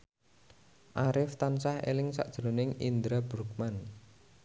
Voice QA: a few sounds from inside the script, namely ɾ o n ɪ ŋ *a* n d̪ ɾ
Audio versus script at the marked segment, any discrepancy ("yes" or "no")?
yes